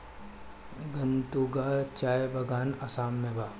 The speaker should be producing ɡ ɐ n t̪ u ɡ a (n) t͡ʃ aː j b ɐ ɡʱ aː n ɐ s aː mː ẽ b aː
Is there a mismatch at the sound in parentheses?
yes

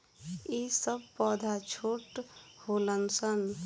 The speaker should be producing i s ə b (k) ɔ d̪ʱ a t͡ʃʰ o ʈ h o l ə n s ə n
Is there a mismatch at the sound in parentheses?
yes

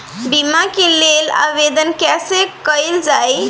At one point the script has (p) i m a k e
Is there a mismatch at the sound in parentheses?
yes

